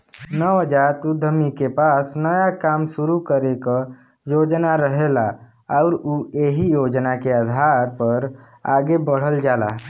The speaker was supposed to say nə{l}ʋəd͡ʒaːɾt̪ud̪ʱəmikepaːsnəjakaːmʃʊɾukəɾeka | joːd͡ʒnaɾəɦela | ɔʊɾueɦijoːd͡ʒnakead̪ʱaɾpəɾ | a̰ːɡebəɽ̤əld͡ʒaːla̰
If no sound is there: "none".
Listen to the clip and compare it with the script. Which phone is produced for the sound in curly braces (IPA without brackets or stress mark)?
none